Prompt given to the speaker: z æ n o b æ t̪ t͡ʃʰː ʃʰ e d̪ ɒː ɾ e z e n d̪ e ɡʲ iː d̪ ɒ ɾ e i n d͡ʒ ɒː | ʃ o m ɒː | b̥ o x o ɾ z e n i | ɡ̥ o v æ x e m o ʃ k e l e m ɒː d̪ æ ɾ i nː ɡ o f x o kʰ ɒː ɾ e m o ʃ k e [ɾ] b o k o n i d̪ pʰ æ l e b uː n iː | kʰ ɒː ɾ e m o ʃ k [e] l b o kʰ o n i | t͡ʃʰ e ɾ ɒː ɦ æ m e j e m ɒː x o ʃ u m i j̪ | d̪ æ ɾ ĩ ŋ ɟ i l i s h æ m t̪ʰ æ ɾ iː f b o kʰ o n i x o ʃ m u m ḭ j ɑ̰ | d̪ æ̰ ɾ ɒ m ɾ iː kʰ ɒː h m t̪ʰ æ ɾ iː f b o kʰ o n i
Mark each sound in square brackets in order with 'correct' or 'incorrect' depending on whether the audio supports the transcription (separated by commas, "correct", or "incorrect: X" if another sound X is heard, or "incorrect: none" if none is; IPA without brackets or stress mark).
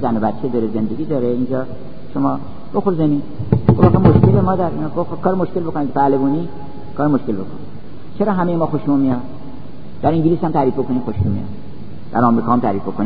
incorrect: l, correct